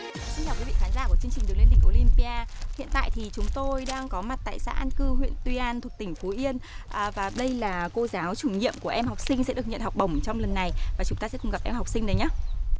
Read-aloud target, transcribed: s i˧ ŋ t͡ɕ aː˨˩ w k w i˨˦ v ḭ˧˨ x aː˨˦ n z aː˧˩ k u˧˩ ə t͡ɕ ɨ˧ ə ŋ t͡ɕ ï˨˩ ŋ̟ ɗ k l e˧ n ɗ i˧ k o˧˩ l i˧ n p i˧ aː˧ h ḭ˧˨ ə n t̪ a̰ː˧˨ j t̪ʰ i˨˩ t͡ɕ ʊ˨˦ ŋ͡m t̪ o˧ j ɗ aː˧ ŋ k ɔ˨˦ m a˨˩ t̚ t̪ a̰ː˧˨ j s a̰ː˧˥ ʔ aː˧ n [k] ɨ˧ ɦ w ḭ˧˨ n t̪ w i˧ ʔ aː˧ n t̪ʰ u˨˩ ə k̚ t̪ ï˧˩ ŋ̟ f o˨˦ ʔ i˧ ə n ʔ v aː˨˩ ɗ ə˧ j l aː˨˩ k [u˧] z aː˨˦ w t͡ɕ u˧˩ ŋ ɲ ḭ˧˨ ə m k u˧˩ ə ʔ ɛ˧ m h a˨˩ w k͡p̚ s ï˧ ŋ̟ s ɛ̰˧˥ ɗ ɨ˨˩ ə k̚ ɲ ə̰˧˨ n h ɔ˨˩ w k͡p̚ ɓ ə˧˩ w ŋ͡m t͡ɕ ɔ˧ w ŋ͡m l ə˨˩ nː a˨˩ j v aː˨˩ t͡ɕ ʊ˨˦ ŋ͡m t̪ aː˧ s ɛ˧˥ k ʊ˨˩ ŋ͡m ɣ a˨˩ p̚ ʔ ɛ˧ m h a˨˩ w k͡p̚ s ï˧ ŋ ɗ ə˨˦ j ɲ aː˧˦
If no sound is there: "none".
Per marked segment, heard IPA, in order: k, o˧

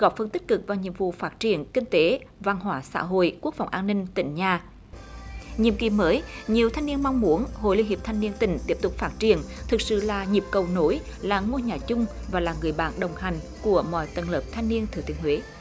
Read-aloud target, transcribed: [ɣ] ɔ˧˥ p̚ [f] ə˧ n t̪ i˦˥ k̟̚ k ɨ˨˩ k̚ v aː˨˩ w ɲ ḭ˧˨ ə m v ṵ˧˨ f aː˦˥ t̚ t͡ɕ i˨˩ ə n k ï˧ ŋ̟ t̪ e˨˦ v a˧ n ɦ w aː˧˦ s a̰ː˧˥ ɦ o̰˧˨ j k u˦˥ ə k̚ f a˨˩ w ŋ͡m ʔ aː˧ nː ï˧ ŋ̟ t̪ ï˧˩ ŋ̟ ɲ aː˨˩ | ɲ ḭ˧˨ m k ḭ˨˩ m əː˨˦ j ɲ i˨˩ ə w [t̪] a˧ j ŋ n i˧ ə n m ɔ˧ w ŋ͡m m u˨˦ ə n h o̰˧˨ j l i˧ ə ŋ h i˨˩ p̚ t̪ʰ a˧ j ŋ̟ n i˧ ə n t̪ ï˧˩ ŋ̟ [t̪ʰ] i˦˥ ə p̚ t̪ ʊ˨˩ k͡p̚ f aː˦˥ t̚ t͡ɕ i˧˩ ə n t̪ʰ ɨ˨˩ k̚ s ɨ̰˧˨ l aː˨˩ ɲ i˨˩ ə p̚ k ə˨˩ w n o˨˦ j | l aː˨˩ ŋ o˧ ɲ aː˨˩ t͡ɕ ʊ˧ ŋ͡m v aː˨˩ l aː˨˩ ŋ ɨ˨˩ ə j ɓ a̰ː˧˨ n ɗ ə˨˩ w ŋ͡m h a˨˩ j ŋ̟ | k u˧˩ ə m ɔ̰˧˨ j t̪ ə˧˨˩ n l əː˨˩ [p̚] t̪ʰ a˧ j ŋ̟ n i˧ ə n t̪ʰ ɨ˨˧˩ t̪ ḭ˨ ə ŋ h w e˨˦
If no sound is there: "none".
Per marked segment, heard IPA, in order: ɣ, f, t̪ʰ, t̪, p̚

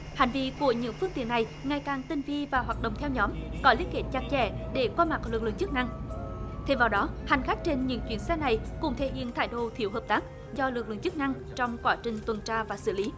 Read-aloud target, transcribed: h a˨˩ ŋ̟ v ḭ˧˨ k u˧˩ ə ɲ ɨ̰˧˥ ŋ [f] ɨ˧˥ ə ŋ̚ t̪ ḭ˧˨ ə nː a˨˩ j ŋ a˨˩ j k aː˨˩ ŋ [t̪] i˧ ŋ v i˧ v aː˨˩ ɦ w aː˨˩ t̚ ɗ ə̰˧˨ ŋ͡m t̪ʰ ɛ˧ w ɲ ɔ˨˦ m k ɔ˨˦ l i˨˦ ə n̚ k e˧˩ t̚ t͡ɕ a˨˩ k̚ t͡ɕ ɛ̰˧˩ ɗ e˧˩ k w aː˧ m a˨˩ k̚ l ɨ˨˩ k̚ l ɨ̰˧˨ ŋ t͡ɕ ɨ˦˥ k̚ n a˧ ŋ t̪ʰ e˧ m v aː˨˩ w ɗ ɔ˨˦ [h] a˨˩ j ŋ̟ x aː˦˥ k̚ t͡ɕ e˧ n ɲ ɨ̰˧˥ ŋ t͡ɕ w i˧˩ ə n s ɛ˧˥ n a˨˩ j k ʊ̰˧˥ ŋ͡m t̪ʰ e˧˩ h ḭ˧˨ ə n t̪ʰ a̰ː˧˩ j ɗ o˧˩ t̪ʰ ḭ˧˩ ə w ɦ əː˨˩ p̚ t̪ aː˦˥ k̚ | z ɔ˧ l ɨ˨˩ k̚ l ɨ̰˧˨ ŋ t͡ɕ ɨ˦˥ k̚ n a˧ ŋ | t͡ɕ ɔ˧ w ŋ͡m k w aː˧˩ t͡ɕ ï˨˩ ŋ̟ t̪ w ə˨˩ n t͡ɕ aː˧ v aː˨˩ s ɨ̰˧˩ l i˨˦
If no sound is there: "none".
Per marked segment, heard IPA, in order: f, t̪, h

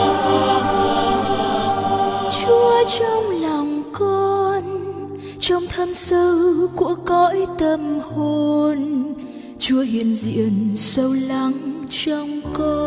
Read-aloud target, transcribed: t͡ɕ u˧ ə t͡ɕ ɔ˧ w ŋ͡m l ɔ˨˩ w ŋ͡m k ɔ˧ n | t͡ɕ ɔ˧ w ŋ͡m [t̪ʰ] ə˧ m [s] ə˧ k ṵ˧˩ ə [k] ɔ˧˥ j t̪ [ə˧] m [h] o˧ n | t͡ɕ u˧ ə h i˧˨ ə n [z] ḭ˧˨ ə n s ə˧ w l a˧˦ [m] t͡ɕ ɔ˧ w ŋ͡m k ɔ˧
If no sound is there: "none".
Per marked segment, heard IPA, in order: t̪ʰ, s, k, ə˧, h, z, ŋ

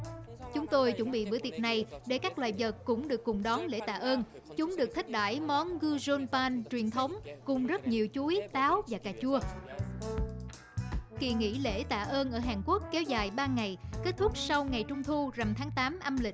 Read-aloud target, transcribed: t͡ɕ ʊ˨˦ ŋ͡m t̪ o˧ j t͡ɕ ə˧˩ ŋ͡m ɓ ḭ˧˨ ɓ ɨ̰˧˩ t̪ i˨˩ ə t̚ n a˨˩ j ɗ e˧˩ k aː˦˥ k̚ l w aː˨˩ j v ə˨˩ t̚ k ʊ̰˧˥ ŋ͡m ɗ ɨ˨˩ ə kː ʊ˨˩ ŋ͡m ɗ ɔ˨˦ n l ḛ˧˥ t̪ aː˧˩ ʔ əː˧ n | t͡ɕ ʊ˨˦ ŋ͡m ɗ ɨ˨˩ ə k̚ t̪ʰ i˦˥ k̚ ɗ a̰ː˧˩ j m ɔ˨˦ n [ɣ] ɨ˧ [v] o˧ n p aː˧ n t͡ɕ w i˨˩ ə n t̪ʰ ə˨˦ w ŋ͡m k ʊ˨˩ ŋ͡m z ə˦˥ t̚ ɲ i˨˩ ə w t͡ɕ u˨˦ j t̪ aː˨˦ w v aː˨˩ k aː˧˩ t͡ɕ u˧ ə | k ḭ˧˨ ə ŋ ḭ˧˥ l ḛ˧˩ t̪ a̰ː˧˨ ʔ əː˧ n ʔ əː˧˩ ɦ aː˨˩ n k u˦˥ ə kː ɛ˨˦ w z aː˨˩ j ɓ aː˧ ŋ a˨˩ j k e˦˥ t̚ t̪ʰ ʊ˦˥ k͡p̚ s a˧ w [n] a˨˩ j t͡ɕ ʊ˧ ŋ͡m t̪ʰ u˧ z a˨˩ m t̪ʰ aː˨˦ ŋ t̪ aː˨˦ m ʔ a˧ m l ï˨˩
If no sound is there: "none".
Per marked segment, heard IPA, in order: ɣ, z, ŋ

